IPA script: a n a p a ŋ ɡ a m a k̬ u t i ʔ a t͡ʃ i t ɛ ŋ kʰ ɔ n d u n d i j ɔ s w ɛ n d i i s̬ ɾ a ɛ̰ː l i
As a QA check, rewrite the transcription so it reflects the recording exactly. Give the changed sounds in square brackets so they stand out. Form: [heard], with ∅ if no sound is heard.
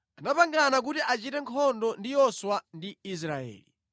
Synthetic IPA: a n a p a ŋ ɡ a [n] a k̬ u t i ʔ a t͡ʃ i t ɛ ŋ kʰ ɔ n d [ɔ] n d i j ɔ s w [a] n d i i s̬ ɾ a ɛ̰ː l i